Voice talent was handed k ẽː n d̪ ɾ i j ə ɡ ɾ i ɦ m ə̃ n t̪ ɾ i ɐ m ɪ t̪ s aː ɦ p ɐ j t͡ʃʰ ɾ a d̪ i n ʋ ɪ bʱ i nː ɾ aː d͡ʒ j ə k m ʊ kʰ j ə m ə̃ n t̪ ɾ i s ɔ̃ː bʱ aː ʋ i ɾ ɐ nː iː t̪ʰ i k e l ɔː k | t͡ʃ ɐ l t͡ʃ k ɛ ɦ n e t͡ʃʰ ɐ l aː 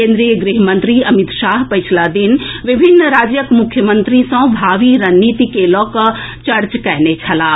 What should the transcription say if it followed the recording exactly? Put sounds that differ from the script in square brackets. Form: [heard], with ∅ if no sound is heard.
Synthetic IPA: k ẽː n d̪ ɾ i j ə ɡ ɾ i ɦ m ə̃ n t̪ ɾ i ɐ m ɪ t̪ [ʃ] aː ɦ p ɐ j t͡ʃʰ [l] a d̪ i n ʋ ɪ bʱ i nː ɾ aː d͡ʒ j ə k m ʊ kʰ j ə m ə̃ n t̪ ɾ i s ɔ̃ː bʱ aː ʋ i ɾ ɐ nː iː [t̪] i k e l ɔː k | t͡ʃ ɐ [ɾ] t͡ʃ k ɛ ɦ n e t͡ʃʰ ɐ l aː